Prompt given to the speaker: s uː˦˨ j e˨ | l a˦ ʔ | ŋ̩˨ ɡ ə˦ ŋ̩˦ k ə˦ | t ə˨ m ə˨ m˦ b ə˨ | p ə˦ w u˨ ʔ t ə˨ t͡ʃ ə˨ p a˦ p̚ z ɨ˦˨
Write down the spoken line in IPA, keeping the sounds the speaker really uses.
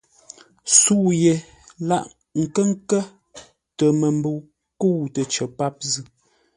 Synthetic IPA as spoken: s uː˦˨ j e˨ | l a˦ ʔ | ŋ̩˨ k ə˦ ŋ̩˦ k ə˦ | t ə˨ m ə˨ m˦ b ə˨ | k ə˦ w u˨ t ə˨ t͡ʃ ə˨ p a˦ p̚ z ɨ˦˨